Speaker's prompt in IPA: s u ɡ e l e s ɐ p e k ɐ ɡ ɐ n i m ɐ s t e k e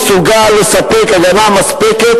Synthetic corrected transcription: s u ɡ a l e s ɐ p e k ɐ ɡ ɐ n a m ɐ s p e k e